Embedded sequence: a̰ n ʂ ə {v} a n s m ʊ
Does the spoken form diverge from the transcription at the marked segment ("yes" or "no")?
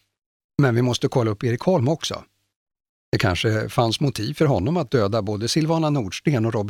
yes